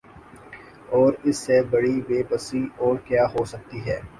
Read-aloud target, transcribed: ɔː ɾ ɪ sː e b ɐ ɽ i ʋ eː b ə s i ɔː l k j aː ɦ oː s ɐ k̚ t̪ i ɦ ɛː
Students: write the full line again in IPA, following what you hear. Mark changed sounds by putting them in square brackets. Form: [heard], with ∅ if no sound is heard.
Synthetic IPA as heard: ɔː ɾ ɪ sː e b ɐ ɽ i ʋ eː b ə s i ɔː [ɾ] k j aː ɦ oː s ɐ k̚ t̪ i ɦ ɛː